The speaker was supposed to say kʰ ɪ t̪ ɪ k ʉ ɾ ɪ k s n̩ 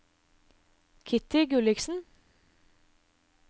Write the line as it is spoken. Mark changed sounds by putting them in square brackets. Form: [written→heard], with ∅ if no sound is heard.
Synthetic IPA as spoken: kʰ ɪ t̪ ɪ [k→ɡ] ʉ [ɾ→l] ɪ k s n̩